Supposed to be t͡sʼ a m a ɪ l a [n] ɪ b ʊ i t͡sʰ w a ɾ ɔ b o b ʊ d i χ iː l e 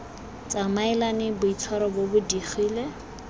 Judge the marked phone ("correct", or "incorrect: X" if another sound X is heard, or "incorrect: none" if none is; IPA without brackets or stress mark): correct